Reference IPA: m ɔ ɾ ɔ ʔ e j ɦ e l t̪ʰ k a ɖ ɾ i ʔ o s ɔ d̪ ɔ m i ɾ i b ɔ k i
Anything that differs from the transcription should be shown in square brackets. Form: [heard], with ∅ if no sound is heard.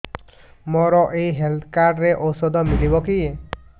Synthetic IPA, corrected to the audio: m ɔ ɾ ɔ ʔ e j ɦ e l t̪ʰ k a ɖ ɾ [e] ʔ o s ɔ d̪ ɔ m i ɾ i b ɔ k i